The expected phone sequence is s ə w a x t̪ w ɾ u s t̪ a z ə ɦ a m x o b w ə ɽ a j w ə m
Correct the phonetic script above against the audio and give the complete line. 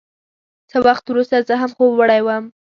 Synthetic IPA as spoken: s ə w a x t̪ w ɾ u s t̪ a z ə ɦ a m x o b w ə ɽ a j w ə m